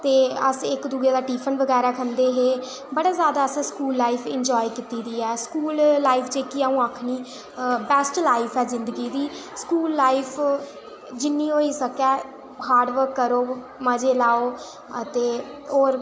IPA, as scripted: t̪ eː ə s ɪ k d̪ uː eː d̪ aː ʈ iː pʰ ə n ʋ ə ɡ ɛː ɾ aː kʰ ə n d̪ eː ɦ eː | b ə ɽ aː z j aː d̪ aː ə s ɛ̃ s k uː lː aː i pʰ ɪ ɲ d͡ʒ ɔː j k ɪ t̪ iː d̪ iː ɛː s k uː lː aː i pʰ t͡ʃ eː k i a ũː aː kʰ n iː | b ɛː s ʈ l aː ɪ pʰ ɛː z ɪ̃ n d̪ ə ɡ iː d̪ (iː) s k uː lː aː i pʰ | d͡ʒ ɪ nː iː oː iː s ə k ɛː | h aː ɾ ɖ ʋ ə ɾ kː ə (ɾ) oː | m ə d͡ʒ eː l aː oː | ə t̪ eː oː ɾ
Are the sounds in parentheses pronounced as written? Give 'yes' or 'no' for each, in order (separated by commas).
yes, yes